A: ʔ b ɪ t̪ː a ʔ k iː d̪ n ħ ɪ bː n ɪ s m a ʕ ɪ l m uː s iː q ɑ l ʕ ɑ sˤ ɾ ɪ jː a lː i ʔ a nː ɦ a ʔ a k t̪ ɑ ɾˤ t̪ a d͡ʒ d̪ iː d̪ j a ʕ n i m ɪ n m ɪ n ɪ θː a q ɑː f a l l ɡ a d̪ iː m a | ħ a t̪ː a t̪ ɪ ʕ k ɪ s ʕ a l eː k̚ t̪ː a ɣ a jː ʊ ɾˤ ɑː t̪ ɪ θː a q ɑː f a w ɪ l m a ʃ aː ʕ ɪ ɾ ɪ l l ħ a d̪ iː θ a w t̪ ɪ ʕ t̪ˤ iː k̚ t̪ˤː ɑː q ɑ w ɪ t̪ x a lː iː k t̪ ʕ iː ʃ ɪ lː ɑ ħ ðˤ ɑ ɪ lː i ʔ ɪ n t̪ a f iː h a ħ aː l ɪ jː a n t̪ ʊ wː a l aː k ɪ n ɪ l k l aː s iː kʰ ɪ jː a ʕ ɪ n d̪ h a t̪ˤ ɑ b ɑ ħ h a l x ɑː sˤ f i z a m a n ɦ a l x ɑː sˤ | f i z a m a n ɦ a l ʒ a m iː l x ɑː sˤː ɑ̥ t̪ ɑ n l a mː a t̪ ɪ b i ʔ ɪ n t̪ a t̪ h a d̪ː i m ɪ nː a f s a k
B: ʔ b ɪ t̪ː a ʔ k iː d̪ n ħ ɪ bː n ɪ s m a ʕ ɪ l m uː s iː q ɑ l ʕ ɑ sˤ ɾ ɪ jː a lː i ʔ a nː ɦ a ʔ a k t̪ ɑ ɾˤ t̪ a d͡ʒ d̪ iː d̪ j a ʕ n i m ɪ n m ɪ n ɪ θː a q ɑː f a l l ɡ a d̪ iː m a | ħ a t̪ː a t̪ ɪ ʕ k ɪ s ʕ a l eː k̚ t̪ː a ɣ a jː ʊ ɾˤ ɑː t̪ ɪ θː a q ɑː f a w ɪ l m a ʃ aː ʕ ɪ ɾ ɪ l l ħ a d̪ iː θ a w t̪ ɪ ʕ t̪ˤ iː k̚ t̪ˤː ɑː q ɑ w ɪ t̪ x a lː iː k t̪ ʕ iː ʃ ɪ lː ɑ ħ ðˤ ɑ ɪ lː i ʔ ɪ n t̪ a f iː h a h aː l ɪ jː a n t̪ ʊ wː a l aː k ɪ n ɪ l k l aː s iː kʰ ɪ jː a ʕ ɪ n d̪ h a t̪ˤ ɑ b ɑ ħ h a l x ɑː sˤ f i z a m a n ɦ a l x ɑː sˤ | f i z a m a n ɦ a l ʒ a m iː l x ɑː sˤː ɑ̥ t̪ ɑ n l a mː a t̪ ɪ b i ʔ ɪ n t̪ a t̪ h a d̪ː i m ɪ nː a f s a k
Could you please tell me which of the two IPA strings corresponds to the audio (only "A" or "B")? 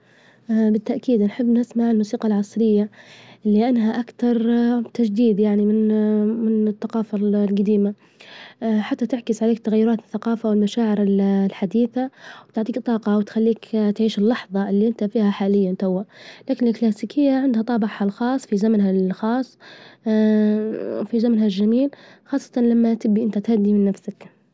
A